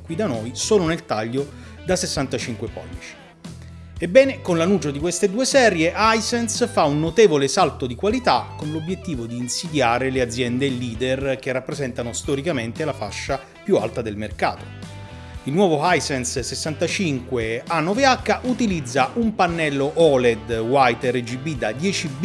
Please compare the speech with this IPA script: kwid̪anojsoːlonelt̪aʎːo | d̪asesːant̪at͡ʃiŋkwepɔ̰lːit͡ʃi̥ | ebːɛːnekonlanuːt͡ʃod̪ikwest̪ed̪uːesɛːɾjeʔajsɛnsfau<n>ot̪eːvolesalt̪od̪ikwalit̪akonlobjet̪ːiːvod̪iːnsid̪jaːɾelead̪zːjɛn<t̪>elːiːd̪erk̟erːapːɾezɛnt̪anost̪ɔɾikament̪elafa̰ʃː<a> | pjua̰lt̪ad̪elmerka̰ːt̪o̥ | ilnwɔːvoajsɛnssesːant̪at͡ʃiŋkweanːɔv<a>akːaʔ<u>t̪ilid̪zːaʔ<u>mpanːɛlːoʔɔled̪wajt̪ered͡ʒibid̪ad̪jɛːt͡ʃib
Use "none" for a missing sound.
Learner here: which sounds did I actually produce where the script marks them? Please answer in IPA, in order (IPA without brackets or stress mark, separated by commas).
nː, d̪, a, e, u, u